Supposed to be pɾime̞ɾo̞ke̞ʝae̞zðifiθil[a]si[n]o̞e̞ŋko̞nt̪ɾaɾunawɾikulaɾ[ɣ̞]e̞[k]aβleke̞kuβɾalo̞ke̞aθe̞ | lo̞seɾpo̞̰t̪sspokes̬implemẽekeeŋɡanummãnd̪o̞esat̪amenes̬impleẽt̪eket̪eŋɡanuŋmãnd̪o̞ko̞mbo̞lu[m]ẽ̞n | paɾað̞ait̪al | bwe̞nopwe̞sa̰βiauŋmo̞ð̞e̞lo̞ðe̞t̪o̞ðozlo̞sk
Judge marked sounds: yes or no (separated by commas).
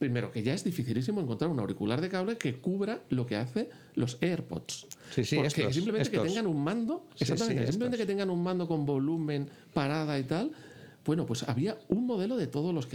no, no, no, yes, yes